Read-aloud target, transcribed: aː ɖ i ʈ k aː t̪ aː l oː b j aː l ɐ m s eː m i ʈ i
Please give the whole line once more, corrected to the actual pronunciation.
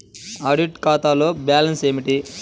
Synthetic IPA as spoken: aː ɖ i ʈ k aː t̪ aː l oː b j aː l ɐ n s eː m i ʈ i